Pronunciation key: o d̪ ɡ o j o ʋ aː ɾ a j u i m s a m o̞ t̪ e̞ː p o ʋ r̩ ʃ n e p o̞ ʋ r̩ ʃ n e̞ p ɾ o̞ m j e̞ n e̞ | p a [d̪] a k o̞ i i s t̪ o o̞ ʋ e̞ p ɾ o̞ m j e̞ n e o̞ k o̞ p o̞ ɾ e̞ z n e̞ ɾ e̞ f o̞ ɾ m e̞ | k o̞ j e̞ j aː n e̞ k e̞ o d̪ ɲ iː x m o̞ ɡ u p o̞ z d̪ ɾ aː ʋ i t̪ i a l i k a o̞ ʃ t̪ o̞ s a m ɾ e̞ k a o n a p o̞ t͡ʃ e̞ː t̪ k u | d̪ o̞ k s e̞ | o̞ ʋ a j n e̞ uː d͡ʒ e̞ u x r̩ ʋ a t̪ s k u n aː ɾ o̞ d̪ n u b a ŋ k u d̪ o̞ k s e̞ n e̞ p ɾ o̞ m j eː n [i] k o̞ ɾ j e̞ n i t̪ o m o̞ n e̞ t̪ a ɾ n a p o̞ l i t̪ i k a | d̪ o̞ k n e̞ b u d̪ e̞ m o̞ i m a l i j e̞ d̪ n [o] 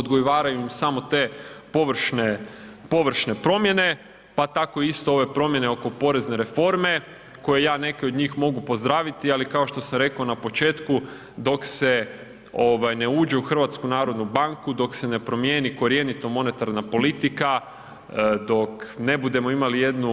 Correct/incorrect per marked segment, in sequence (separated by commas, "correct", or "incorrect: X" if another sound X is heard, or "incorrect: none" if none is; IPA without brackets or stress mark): incorrect: t̪, correct, incorrect: u